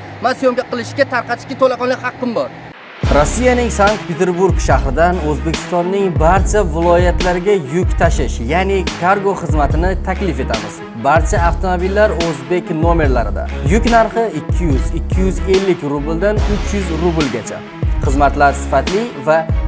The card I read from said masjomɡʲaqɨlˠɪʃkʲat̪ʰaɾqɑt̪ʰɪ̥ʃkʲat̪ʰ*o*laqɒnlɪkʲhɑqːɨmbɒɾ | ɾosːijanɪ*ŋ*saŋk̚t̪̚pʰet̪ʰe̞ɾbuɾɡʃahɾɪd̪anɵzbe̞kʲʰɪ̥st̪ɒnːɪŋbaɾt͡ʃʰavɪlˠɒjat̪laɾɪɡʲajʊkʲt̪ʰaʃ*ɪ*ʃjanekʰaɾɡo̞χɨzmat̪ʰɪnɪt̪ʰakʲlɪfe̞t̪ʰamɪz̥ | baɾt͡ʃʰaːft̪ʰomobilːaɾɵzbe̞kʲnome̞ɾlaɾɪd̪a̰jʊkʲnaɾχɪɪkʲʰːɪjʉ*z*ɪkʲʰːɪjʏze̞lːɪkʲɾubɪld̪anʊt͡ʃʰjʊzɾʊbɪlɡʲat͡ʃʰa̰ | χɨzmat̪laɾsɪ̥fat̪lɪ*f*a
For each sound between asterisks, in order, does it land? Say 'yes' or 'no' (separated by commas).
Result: yes, yes, yes, yes, no